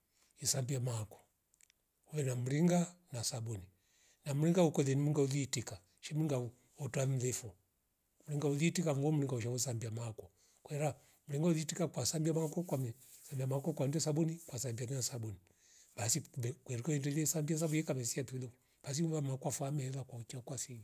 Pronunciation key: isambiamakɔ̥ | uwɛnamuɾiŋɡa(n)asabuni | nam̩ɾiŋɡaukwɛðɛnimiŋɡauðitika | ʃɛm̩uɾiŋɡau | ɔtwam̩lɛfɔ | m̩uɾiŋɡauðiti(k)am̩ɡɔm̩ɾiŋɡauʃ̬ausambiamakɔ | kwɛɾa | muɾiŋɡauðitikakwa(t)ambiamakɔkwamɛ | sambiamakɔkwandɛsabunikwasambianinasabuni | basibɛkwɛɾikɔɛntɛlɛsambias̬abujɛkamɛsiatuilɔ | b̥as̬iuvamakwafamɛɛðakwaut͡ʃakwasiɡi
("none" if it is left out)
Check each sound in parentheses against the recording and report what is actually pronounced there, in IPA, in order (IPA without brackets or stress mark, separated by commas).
n, k, s